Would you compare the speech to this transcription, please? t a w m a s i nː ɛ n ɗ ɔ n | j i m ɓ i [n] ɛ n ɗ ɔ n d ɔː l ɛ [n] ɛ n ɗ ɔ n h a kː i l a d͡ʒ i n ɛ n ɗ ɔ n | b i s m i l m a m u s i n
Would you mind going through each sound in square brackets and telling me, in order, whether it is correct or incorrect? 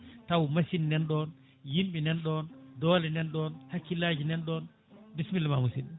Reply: correct, correct

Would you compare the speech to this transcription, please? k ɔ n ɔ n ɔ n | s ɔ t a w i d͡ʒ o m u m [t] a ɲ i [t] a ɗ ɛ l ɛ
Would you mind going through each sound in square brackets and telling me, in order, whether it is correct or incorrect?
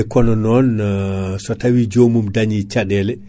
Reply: incorrect: d, incorrect: t͡ʃ

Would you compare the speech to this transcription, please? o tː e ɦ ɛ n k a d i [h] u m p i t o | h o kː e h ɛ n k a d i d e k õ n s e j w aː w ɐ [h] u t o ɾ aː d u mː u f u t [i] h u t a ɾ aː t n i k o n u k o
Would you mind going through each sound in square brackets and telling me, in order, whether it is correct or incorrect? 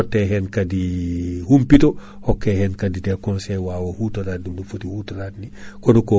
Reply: correct, correct, correct

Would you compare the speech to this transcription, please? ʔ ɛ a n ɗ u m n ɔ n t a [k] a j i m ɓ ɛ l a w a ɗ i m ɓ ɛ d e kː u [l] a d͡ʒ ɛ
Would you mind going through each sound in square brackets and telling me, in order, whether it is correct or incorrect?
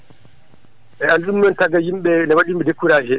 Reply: incorrect: ɡ, incorrect: ɾ

